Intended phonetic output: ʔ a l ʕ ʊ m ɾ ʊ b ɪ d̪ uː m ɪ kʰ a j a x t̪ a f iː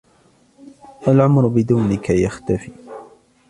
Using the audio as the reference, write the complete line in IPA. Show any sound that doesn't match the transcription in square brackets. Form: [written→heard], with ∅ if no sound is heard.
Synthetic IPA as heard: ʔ a l ʕ ʊ m ɾ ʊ b ɪ d̪ uː [m→n] ɪ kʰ a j a x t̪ a f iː

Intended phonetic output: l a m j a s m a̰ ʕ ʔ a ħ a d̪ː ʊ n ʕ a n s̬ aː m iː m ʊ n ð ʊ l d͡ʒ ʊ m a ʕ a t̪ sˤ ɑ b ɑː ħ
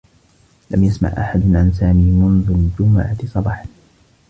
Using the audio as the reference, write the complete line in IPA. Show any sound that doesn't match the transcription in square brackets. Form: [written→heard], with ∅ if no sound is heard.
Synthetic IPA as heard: l a m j a s m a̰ ʕ ʔ a ħ a [d̪ː→d̪] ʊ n ʕ a n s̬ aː m iː m ʊ n ð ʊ l d͡ʒ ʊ m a ʕ a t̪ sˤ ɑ b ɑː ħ

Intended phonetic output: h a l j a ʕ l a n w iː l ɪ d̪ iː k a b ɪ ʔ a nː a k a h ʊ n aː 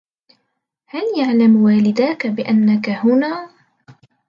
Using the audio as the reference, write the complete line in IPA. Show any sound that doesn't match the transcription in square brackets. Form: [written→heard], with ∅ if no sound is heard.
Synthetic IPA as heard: h a l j a ʕ l a [n→m] w [iː→aː] l ɪ d̪ [iː→aː] k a b ɪ ʔ a nː a k a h ʊ n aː

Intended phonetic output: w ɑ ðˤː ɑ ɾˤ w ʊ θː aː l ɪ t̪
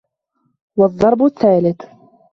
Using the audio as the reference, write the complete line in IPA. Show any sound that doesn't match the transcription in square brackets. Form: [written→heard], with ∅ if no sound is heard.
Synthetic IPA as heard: w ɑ ðˤː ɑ ɾˤ [w→b] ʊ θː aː l ɪ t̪

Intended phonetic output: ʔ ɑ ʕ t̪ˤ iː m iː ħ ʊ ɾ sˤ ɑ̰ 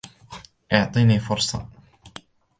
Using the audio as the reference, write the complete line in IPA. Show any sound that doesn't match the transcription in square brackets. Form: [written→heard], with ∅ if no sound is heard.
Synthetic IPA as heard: ʔ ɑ ʕ t̪ˤ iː [m→n] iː [ħ→f] ʊ ɾ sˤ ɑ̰

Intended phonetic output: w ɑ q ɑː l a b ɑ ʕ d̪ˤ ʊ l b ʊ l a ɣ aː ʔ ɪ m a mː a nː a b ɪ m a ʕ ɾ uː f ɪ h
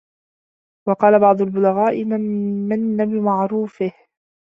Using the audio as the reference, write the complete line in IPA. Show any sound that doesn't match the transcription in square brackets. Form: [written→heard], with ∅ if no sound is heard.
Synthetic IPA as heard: w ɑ q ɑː l a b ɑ ʕ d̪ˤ ʊ l b ʊ l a ɣ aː ʔ ɪ m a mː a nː a b ɪ m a ʕ ɾ uː f ɪ h

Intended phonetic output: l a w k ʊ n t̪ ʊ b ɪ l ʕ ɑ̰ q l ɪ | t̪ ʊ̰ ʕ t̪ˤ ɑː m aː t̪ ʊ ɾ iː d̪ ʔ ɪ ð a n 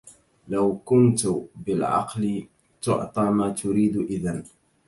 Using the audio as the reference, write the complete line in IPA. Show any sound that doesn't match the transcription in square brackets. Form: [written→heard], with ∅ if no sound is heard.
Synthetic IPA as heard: l a w k ʊ n t̪ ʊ b ɪ l ʕ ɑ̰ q l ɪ | t̪ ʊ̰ ʕ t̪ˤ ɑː m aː t̪ ʊ ɾ iː d̪ ʔ ɪ ð a n

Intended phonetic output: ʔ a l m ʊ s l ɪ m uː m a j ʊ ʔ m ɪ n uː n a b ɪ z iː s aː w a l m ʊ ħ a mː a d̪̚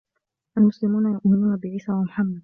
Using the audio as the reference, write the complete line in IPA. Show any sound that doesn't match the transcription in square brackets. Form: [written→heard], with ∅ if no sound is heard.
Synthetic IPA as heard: ʔ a l m ʊ s l ɪ m uː [m→n] a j ʊ ʔ m ɪ n uː n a b ɪ [z→ʕ] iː s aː w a [l→∅] m ʊ ħ a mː a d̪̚

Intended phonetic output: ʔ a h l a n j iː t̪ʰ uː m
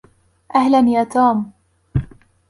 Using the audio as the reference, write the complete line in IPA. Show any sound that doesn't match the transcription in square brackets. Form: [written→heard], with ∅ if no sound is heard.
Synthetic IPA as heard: ʔ a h l a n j [iː→aː] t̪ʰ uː m

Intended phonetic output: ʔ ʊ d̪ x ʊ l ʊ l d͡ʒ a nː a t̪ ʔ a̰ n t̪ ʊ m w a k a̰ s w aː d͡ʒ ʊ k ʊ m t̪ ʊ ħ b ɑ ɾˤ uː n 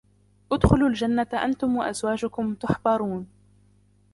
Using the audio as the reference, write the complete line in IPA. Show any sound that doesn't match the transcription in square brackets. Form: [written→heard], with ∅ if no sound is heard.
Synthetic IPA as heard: ʔ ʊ d̪ x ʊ l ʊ l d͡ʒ a nː a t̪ ʔ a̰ n t̪ ʊ m w a [k→ʔ] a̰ [s→z] w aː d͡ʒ ʊ k ʊ m t̪ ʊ ħ b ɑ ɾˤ uː n

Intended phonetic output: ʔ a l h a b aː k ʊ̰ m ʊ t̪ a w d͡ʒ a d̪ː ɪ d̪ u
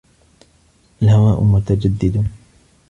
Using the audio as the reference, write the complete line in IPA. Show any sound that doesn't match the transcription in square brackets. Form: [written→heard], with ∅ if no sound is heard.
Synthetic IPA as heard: ʔ a l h a [b→w] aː [k→ʔ] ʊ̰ m ʊ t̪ a [w→∅] d͡ʒ a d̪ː ɪ d̪ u

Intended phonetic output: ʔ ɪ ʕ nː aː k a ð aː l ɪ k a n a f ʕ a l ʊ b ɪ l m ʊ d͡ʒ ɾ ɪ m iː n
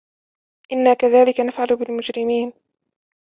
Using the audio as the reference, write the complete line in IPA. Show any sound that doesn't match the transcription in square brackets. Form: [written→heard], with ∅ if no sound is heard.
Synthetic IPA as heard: ʔ ɪ [ʕ→∅] nː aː k a ð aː l ɪ k a n a f ʕ a l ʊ b ɪ l m ʊ d͡ʒ ɾ ɪ m iː n

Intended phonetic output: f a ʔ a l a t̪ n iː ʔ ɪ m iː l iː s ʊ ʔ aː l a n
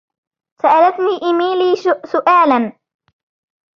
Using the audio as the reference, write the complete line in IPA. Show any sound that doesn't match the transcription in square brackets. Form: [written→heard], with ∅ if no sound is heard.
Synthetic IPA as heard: [f→s] a ʔ a l a t̪ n iː ʔ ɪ m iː l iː s ʊ ʔ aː l a n

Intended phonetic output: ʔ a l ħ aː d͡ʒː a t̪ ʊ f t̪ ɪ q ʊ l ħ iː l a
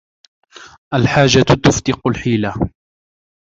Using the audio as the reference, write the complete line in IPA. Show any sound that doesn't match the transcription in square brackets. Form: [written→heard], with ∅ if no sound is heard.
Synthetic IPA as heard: ʔ a l ħ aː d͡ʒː a t̪ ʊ f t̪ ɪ q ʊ l ħ iː l a

